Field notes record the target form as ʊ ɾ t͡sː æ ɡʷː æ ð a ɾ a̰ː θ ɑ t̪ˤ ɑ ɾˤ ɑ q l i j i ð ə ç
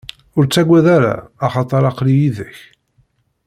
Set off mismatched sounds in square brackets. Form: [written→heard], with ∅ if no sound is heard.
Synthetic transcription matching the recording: ʊ ɾ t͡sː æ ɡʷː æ ð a ɾ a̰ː [θ→χ] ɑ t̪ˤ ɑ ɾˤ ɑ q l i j i ð ə ç